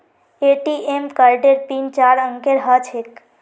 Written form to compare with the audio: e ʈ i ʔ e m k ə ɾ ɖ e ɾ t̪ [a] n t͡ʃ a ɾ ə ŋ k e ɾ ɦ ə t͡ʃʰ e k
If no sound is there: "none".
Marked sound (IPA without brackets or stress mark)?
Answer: i